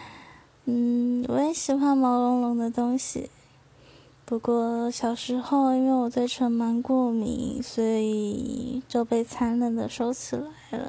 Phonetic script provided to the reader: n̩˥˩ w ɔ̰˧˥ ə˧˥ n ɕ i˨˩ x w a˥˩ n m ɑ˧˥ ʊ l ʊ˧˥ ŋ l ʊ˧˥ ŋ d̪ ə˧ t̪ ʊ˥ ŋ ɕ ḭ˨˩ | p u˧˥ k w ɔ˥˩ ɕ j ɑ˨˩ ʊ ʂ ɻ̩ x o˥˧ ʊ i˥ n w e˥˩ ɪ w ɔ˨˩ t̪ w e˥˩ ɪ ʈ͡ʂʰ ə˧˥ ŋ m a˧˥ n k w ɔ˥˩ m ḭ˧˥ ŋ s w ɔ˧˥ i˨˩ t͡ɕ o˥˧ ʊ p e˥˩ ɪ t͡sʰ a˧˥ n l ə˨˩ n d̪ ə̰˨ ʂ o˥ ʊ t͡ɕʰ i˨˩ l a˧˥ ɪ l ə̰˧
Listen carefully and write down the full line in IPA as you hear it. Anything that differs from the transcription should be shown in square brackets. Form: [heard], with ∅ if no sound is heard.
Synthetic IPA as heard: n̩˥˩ w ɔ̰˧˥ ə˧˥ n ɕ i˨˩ x w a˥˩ n m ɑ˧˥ ʊ l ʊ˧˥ ŋ l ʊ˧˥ ŋ d̪ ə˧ t̪ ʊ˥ ŋ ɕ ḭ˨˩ | p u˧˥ k w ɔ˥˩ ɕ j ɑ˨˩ ʊ ʂ ɻ̩ x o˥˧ ʊ i˥ n w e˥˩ ɪ w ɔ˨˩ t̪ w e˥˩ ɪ ʈ͡ʂʰ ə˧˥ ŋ m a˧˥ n k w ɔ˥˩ m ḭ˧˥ ŋ s w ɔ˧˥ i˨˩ t͡ɕ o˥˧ ʊ p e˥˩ ɪ t͡sʰ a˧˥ n l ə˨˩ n d̪ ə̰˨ ʂ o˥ ʊ t͡ɕʰ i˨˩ l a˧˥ ɪ l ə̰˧